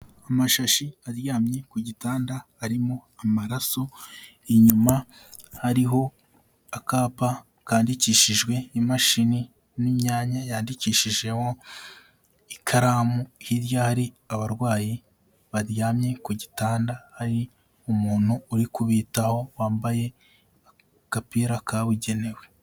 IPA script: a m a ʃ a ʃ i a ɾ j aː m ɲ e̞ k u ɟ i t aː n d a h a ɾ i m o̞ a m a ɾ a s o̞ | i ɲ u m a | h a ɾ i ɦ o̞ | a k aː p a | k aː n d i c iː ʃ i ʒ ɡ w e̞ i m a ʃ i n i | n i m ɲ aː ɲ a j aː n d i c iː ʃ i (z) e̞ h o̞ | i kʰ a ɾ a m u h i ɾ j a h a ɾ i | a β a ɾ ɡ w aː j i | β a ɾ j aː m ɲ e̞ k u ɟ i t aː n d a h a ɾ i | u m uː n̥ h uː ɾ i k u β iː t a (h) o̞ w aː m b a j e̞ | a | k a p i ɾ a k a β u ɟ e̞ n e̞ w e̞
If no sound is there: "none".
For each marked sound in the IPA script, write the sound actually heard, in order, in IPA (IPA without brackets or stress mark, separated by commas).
ʒ, h